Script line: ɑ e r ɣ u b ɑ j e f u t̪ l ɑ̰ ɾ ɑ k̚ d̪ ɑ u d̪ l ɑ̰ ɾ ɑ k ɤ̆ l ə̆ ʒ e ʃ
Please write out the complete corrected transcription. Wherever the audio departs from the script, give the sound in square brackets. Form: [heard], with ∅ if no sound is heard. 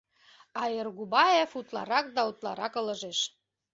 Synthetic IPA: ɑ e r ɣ u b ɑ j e f u t̪ l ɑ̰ ɾ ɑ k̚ d̪ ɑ u [t̪] l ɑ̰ ɾ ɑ k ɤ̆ l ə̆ ʒ e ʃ